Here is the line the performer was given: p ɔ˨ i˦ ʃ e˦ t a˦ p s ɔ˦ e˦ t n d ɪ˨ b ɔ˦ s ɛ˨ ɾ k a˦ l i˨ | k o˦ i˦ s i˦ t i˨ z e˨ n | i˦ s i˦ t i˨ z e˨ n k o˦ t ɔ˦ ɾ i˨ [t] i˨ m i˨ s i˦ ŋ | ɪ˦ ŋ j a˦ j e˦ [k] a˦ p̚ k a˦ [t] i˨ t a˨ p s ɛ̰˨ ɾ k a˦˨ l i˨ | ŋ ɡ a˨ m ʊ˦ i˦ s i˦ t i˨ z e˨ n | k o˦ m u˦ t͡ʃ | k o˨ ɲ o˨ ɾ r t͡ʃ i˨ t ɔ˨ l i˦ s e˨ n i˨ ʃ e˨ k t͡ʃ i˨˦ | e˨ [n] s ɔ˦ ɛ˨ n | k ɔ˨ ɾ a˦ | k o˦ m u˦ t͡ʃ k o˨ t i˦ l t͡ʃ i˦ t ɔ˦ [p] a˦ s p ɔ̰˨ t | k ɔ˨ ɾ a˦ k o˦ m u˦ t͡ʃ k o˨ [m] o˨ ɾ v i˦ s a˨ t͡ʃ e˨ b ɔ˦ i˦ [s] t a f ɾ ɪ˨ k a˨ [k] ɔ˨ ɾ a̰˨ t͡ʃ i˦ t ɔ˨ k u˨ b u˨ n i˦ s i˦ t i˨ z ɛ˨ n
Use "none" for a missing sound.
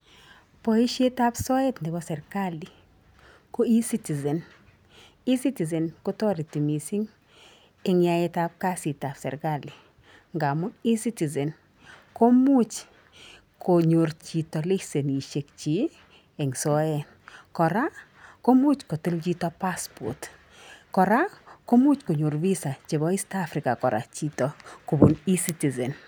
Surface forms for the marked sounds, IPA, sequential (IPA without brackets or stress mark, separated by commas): t, t, s, ŋ, p, ɲ, s, k